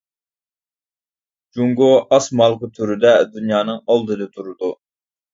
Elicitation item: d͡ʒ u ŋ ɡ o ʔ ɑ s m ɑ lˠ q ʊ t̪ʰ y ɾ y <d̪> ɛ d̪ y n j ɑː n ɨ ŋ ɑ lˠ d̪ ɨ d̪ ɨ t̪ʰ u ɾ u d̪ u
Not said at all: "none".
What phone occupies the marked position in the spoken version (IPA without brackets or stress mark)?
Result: d̪